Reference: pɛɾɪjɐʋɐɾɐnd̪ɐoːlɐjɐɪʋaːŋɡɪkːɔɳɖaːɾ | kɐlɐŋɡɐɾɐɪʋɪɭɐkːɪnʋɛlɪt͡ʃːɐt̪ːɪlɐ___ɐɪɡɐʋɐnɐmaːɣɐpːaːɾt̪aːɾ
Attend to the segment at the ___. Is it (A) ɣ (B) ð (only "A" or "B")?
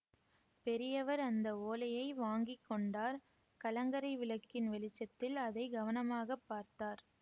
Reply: B